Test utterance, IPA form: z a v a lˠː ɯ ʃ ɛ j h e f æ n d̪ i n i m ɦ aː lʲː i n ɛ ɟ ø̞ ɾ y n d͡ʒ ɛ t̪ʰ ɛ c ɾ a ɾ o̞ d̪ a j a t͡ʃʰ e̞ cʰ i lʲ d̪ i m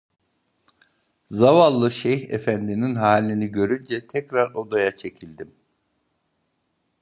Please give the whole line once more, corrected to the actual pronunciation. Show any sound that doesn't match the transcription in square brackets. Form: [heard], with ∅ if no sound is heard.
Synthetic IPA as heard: z a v a lˠː ɯ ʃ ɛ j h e f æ n d̪ i n i [n] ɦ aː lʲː i n [i] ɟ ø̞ ɾ y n d͡ʒ ɛ t̪ʰ ɛ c ɾ a ɾ o̞ d̪ a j a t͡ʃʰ e̞ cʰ i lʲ d̪ i m